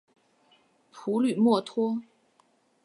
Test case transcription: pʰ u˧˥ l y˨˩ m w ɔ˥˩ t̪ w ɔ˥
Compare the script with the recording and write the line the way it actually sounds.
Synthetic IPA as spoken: pʰ u˧˥ l y˨˩ m w ɔ˥˩ t̪ʰ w ɔ˥